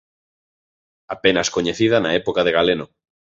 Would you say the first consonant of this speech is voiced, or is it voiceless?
voiceless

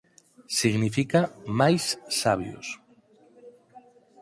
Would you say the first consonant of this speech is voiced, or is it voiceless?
voiceless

